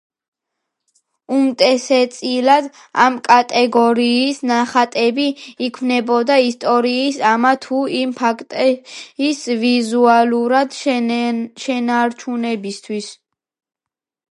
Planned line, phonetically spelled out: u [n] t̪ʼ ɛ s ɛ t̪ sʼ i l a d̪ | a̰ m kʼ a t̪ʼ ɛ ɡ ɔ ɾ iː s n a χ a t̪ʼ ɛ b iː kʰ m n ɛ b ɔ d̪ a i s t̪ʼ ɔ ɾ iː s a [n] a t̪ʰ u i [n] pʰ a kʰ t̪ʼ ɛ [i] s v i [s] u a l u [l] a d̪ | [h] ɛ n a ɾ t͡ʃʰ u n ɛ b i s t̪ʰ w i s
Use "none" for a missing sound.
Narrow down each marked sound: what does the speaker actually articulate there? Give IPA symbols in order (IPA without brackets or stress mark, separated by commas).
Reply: m, m, m, i, z, ɾ, ʃ